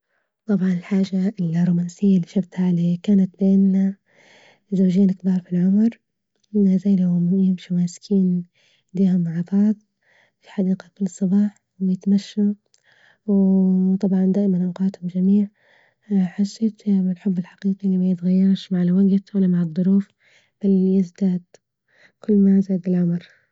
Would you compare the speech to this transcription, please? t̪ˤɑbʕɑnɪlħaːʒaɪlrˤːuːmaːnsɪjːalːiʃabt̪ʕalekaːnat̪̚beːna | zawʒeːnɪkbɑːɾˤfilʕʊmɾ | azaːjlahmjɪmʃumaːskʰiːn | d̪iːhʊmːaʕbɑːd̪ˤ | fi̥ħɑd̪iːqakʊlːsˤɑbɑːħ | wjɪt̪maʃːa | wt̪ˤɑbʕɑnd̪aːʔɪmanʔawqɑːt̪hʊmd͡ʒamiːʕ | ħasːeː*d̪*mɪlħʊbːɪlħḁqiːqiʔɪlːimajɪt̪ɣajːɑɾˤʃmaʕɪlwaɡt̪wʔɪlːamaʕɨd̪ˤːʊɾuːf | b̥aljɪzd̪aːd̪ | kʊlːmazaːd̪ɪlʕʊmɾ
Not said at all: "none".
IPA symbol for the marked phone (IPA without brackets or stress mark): t̪